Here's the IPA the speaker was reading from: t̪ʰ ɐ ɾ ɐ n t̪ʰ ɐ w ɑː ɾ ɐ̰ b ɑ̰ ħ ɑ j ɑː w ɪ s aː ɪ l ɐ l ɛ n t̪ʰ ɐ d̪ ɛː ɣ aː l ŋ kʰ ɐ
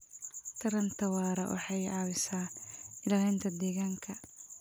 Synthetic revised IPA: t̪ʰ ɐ ɾ ɐ n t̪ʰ ɐ w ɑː ɾ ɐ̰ w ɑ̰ ħ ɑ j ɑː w ɪ s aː ɪ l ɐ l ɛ n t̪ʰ ɐ d̪ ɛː ɣ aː ŋ kʰ ɐ